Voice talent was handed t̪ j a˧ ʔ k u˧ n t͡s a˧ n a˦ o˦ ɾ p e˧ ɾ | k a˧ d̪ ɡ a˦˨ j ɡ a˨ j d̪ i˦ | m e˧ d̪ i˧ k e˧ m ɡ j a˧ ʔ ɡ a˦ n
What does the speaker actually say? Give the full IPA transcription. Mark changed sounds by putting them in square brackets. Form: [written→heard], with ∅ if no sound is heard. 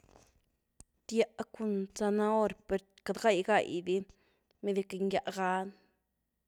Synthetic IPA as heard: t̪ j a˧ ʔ k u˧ n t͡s a˧ n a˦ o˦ ɾ p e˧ ɾ | k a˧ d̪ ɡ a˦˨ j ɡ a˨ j d̪ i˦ | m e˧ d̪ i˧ k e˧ [m→ŋ] ɡ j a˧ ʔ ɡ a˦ n